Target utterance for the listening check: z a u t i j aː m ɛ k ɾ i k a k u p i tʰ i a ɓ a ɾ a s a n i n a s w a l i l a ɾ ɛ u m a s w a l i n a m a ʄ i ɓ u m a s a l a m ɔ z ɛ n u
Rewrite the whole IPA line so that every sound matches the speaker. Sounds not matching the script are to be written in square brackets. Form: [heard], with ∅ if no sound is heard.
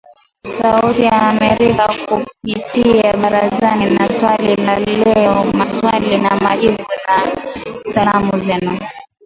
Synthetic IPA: [s] a u t i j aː m ɛ [∅] ɾ i k a k u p i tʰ i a ɓ a ɾ a [z] a n i n a s w a l i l a [l] ɛ [ɔ] m a s w a l i n a m a ʄ i ɓ u [n] a s a l a m [u] z ɛ n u